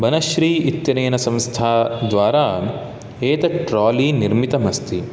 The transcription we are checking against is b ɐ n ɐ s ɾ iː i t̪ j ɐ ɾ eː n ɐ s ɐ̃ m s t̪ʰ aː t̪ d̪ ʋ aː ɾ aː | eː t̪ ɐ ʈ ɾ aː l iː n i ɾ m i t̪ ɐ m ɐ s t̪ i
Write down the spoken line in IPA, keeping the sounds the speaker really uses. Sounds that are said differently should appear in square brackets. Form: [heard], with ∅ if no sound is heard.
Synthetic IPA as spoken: b ɐ n ɐ [ʃ] ɾ iː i t̪ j ɐ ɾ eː n ɐ s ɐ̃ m s t̪ʰ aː [∅] d̪ ʋ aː ɾ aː | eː t̪ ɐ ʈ ɾ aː l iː n i ɾ m i t̪ ɐ m ɐ s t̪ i